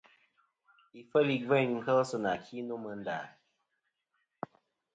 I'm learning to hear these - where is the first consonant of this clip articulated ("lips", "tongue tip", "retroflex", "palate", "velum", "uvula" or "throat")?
lips